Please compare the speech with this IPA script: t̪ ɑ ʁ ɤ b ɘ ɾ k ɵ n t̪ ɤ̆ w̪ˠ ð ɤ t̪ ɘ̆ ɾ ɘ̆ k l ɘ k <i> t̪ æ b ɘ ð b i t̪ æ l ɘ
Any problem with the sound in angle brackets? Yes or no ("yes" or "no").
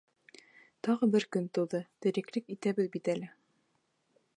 no